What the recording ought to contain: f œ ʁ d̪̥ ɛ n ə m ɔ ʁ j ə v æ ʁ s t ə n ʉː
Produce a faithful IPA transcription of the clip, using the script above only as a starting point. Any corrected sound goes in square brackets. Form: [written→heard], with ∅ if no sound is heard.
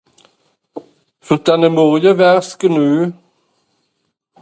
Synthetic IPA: f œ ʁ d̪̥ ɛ n ə m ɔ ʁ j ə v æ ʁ s [t→k] ə n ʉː